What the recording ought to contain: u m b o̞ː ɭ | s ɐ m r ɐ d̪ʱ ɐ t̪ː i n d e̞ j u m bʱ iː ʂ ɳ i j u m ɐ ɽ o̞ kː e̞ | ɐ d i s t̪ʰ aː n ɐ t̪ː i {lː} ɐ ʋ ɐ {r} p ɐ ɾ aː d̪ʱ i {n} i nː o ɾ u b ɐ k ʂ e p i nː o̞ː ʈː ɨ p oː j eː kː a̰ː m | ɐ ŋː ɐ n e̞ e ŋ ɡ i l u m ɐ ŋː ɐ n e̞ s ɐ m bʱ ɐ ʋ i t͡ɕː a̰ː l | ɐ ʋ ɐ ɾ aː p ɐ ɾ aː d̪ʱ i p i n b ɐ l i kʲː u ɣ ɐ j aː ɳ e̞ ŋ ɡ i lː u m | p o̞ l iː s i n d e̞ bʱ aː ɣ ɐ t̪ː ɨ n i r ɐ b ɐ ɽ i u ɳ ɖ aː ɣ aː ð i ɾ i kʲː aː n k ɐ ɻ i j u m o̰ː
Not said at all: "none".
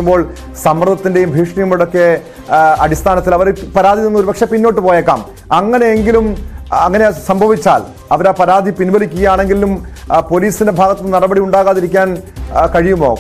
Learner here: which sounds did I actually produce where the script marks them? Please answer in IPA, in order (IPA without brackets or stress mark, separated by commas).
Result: l, ɾ, n